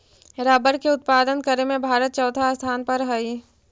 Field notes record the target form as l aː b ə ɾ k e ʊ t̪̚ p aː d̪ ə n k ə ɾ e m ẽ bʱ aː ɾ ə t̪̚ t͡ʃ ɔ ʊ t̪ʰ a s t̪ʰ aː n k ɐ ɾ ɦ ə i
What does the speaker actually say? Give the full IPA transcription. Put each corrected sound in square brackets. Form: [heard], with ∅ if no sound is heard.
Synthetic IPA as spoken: [ɾ] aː b ə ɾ k e ʊ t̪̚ p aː d̪ ə n k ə ɾ e m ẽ bʱ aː ɾ ə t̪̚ t͡ʃ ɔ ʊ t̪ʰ a s t̪ʰ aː n [p] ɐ ɾ ɦ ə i

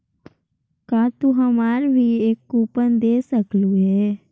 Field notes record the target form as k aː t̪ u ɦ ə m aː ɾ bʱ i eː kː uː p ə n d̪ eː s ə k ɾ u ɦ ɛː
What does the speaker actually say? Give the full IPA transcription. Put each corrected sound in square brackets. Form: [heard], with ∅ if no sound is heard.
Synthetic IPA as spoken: k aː t̪ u ɦ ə m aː ɾ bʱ i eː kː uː p ə n d̪ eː s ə k [l] u ɦ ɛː

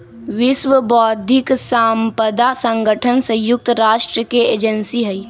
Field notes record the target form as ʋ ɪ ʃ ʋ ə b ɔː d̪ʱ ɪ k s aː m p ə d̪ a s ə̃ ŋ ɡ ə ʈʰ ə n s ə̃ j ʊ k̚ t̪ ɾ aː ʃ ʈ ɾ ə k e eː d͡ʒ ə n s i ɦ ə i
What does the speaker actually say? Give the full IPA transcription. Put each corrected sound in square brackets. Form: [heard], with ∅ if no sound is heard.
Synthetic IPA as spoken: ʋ ɪ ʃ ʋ ə b ɔː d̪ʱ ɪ k s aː m p ə d̪ a s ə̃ ŋ ɡ ə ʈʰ ə n s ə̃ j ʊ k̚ t̪ ɾ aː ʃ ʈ ɾ ə k e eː d͡ʒ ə n s i ɦ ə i

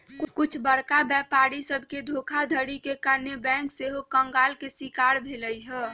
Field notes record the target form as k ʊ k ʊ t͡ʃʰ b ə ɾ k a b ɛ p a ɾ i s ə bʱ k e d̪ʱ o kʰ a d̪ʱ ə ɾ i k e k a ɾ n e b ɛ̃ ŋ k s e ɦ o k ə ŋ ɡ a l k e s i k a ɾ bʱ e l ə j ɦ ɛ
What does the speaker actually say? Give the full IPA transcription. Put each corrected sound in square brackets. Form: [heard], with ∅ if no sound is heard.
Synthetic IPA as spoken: k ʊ k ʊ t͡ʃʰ b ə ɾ k a b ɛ p a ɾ i s ə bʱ k e d̪ʱ o kʰ a d̪ʱ ə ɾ i k e k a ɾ n e b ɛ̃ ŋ k s e ɦ o k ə ŋ ɡ a l k e s i k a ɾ bʱ e l ə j ɦ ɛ

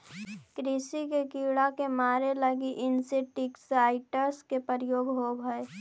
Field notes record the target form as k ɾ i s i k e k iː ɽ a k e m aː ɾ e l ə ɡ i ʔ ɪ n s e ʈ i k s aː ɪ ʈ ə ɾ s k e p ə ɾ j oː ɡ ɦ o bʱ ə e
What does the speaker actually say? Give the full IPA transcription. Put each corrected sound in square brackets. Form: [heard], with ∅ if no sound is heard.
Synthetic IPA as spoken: k ɾ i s i k e k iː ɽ a k e m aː ɾ e l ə ɡ i ʔ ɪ n s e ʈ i k s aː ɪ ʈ ə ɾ s k e p ə ɾ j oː ɡ ɦ o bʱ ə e

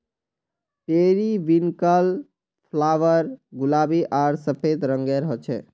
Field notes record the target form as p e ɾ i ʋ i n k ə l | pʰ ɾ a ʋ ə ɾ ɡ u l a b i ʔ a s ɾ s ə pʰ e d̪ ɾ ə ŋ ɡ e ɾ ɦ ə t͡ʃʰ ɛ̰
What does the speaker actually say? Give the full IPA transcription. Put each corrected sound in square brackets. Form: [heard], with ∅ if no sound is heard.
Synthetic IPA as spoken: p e ɾ i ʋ i n k ə l | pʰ [l] a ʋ ə ɾ ɡ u l a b i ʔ a [∅] ɾ s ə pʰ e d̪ ɾ ə ŋ ɡ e ɾ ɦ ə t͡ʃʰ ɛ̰

